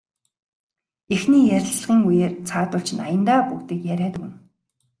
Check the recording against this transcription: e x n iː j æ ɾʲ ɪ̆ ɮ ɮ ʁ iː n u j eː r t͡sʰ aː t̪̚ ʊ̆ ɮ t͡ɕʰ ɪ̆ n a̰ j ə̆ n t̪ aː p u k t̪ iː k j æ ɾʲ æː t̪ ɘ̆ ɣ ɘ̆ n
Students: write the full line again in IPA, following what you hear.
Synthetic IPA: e x n iː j æ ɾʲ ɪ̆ ɮ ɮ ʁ iː ŋ u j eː r t͡sʰ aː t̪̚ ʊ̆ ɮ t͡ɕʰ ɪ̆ n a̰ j ə̆ n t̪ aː p u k t̪ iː k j æ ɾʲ æː t̪ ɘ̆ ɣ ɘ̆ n